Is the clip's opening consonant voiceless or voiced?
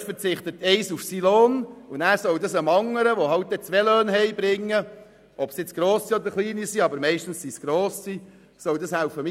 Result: voiceless